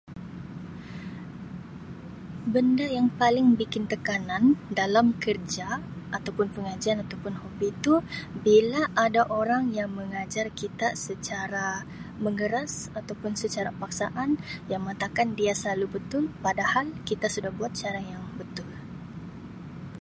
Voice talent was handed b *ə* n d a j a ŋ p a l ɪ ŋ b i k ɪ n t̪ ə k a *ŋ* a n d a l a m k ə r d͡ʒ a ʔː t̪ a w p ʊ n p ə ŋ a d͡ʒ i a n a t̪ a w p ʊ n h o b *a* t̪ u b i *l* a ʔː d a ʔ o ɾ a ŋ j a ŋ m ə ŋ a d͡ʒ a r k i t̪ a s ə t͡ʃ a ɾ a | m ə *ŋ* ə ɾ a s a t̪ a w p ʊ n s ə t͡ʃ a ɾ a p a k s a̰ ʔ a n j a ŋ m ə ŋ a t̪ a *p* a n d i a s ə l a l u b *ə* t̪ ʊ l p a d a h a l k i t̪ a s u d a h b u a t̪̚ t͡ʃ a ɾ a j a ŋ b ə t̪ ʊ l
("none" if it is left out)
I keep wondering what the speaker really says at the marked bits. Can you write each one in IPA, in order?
ə, n, i, l, ŋ, k, ə

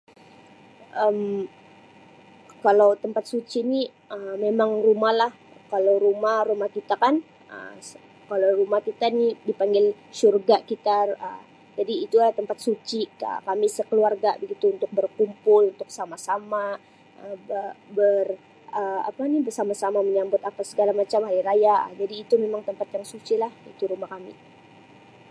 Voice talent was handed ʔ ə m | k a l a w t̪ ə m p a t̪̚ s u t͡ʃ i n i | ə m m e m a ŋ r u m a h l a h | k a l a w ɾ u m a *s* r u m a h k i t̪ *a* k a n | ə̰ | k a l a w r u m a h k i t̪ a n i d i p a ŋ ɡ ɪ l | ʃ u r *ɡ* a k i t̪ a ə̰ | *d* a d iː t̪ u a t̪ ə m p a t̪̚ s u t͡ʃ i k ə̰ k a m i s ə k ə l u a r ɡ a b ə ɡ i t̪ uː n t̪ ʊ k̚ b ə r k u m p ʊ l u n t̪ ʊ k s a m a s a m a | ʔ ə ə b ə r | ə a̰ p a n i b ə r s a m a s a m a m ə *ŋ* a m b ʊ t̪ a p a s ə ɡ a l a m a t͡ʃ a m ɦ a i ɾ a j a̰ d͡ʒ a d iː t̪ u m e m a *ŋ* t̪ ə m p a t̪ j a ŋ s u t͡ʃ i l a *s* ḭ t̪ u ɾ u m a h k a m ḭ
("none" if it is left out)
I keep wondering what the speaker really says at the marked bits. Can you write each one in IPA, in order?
h, a, ɡ, d͡ʒ, ɲ, ŋ, h

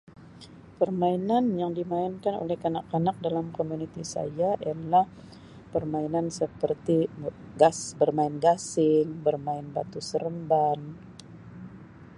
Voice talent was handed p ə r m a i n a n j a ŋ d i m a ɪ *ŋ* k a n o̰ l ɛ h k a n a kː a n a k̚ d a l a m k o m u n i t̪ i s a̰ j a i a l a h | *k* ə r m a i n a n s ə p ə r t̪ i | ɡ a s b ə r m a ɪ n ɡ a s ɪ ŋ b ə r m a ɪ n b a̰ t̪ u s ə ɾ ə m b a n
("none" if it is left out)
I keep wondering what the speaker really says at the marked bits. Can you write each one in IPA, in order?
n, p

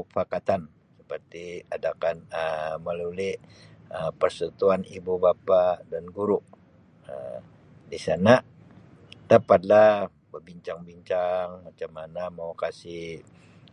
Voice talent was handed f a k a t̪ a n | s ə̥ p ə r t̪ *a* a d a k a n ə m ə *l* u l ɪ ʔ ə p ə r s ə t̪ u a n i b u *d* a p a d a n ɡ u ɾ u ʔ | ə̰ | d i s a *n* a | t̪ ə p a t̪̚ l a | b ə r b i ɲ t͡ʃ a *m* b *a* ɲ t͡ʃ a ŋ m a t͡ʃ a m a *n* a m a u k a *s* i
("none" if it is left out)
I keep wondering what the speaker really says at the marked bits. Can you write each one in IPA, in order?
i, l, b, n, ŋ, i, n, s

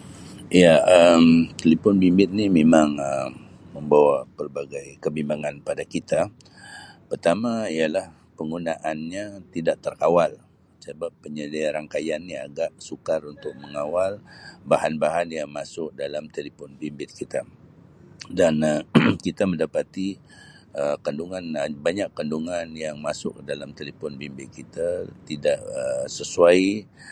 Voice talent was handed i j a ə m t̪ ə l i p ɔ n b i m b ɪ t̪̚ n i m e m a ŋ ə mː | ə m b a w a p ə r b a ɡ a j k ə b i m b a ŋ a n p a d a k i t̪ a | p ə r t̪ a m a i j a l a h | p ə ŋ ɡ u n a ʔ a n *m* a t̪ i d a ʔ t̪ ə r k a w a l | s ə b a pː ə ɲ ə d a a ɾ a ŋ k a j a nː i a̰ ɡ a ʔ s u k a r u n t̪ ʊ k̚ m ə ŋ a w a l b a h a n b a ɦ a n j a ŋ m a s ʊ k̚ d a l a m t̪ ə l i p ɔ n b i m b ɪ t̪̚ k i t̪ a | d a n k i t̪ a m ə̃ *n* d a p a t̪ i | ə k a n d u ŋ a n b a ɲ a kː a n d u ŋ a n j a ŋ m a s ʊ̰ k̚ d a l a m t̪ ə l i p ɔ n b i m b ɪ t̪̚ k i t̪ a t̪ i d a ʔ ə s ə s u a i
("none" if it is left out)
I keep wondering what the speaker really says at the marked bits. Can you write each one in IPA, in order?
ɲ, n

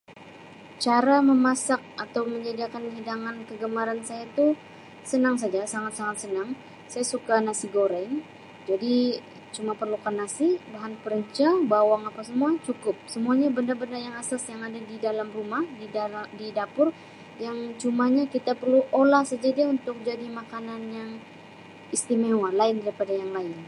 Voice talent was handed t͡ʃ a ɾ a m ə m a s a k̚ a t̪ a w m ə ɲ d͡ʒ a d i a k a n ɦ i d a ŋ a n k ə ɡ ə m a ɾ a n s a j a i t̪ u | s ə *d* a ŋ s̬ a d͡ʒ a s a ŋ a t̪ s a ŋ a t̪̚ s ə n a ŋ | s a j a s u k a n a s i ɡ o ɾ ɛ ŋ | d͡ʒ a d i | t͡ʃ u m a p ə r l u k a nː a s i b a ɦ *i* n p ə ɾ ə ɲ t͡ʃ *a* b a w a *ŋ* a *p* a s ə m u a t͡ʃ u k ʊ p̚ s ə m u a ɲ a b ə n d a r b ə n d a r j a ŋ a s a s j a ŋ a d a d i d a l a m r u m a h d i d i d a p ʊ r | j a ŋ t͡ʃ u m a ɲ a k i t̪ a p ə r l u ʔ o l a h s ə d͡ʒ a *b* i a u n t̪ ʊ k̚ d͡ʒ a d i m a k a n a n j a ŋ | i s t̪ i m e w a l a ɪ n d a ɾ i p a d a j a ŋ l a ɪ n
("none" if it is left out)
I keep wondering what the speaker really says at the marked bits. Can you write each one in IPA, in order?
n, a, a, ŋ, p, d

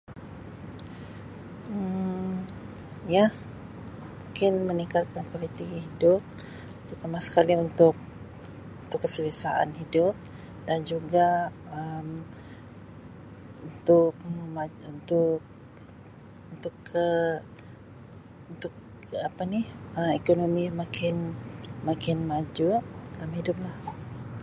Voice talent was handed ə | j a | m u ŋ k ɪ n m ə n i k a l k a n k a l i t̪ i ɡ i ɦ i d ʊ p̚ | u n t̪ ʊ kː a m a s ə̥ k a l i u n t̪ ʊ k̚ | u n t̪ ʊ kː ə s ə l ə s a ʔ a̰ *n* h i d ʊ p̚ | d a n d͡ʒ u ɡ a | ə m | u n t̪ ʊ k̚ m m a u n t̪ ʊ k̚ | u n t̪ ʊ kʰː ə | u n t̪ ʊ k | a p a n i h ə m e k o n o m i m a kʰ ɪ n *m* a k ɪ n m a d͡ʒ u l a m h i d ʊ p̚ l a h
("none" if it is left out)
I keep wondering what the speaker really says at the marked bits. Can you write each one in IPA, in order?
n, m

